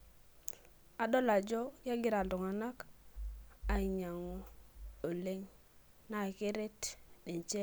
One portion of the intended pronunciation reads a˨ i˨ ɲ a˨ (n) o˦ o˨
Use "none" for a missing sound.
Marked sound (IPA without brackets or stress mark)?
ŋ